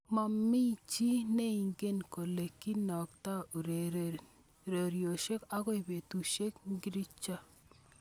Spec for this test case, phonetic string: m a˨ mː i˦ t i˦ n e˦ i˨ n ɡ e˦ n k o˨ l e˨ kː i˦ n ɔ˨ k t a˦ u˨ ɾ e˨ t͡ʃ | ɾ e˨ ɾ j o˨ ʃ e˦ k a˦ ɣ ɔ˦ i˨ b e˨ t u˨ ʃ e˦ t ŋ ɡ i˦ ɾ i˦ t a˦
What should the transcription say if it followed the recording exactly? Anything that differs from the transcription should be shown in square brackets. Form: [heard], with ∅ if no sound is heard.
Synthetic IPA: m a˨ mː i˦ [t͡ʃ] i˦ n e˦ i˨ [ŋ] ɡ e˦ n k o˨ l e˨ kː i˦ n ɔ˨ k t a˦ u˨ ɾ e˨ [∅] | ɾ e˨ ɾ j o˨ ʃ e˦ k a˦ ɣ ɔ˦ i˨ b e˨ t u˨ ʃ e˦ [k] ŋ ɡ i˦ ɾ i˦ [t͡ʃ] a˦